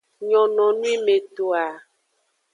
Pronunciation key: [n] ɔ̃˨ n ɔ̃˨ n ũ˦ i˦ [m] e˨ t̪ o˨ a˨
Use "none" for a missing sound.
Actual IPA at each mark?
ɲ, m

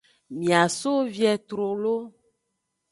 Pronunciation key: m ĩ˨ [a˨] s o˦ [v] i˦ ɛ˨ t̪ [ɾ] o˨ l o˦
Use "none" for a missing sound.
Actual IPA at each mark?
a˨, v, ɾ

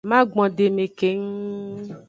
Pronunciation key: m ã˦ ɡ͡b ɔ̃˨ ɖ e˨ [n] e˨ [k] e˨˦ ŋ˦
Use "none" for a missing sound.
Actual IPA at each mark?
m, k

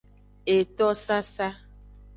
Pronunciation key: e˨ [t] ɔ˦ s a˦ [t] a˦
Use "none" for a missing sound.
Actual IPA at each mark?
t, s

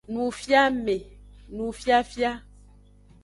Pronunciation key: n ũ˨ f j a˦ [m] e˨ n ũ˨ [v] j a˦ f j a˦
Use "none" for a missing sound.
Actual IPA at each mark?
m, f

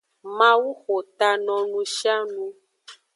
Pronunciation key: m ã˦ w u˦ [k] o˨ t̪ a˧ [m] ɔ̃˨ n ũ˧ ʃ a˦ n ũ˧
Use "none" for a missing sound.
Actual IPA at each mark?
x, n

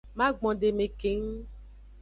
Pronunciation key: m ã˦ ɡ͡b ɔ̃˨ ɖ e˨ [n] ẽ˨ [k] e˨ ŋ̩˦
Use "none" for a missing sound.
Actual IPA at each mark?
m, k

